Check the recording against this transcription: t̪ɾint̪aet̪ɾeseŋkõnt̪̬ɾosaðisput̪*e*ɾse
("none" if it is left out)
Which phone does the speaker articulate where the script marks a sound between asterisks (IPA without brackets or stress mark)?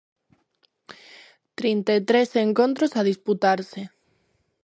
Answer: a